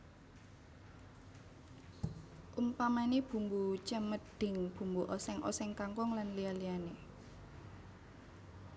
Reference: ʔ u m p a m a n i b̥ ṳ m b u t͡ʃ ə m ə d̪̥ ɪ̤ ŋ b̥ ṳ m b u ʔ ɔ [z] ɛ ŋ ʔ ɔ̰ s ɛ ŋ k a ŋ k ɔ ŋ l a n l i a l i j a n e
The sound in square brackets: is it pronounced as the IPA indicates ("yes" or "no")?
no